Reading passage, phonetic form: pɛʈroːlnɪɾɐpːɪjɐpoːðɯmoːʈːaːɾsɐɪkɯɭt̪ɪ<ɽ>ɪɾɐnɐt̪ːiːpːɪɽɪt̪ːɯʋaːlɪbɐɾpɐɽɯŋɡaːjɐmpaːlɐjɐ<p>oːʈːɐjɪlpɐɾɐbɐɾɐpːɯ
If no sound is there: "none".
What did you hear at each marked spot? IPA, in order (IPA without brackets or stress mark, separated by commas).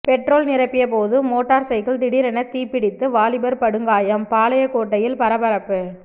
ɽ, k